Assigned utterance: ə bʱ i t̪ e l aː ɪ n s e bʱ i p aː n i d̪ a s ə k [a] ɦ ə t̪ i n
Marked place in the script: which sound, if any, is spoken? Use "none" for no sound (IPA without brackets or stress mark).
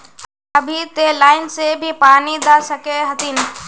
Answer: e